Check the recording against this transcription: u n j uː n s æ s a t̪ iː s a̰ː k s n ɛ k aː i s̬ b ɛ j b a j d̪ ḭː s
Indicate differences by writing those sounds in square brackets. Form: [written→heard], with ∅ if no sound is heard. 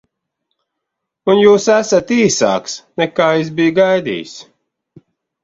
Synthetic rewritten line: u n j uː [n→∅] s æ s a t̪ iː s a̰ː k s n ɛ k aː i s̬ b [ɛ→i] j [b→ɡ] a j d̪ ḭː s